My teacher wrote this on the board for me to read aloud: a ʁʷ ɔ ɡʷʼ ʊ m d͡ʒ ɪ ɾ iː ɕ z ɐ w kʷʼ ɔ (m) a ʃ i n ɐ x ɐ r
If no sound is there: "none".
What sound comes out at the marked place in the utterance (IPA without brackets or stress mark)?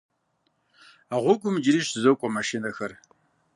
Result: m